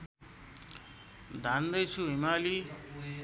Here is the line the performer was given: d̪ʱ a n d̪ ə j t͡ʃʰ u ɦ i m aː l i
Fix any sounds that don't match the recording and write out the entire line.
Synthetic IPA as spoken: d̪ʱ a n d̪ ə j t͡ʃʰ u ɦ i m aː l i

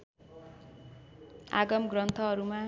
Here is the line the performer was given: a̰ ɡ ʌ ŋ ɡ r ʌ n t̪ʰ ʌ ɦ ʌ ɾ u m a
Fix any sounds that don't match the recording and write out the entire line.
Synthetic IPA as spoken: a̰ ɡ ʌ m ɡ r ʌ n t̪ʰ ʌ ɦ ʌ ɾ u m a

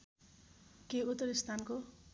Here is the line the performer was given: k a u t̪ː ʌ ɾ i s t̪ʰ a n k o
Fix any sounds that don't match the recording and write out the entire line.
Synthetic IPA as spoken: k e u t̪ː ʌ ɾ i s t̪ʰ a n k o

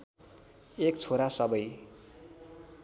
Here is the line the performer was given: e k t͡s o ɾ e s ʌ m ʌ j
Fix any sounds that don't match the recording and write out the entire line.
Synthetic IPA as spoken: e k t͡sʰ o ɾ a s ʌ b ʌ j

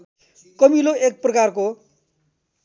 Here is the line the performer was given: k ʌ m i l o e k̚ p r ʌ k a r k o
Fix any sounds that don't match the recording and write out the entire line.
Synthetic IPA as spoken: k ʌ m i l o e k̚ p r ʌ k a r k o

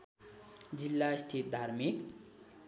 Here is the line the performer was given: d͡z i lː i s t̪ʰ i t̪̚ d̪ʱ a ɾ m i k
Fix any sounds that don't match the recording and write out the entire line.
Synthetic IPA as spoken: d͡z i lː a s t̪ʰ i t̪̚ d̪ʱ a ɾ m i k

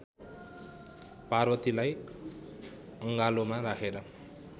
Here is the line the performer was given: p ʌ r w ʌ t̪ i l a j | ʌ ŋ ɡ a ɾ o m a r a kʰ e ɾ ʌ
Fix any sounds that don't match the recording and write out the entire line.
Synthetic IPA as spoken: p a r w ʌ t̪ i l a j | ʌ ŋ ɡ a l o m a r a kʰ e ɾ ʌ

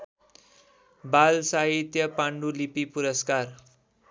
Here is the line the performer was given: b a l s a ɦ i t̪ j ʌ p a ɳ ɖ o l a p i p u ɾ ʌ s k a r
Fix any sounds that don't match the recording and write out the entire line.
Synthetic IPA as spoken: b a l s a ɦ i t̪ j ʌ p a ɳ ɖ u l i p i p u ɾ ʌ s k a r

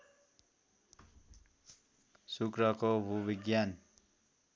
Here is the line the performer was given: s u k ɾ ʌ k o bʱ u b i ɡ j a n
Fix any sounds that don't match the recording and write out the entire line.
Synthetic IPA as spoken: s u k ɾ ʌ k o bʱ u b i ɡ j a n

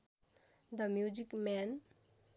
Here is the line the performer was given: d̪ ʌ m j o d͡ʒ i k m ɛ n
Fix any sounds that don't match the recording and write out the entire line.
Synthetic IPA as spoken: d̪ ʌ m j u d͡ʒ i k m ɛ n

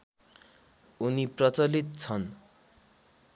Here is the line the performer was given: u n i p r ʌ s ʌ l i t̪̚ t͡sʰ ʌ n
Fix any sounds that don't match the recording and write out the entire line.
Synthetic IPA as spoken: u n i p r ʌ t͡s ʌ l i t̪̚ t͡sʰ ʌ n

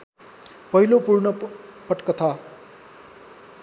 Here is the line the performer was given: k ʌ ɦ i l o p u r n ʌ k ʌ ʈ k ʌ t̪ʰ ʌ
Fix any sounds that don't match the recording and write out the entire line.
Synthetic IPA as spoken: p ʌ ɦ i l o p u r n ʌ p ʌ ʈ k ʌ t̪ʰ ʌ

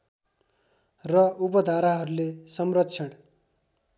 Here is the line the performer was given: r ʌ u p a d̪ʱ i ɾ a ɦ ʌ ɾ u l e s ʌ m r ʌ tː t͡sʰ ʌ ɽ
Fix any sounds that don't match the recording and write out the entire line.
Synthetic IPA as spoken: r ʌ u p ʌ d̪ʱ a ɾ a ɦ ʌ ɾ u l e s ʌ m r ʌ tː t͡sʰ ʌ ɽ

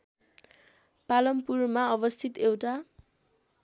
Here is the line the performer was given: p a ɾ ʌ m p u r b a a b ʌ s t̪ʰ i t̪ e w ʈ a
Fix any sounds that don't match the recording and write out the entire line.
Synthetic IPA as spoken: p a l ʌ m p u r m a ʌ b ʌ s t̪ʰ i t̪ e w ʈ a

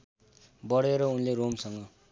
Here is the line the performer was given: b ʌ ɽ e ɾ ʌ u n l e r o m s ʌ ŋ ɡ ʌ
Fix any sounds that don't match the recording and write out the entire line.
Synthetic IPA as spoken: b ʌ ɽ e ɾ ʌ u n l e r o m s ʌ ŋ ɡ ʌ

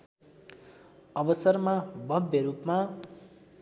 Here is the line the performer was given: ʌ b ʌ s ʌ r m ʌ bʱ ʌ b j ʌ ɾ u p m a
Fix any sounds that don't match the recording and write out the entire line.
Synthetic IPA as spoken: ʌ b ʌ s ʌ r m a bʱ ʌ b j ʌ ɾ u p m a

